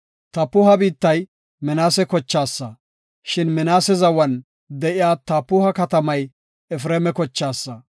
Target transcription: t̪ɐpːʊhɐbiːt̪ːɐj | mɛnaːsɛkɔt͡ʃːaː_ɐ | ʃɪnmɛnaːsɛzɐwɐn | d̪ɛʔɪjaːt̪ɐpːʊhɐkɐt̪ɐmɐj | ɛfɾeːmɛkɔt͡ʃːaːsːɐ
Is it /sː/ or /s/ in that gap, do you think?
sː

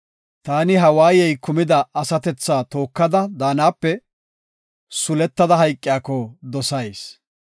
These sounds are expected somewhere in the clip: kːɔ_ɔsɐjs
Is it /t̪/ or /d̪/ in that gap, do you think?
d̪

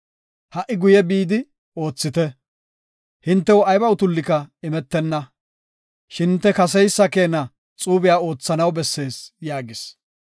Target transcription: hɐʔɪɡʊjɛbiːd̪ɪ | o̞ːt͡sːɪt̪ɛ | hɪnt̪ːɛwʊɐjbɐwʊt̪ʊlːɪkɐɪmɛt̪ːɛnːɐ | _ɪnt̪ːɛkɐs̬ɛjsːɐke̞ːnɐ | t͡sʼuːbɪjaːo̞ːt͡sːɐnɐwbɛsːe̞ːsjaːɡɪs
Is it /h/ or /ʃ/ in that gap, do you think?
ʃ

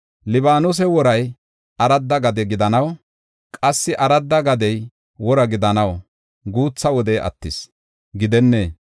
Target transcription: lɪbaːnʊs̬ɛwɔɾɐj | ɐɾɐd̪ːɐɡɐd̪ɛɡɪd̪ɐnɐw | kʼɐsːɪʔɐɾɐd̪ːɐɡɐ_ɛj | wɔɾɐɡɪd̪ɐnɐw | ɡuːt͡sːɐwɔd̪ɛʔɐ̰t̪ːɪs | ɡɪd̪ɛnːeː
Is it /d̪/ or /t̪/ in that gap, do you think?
d̪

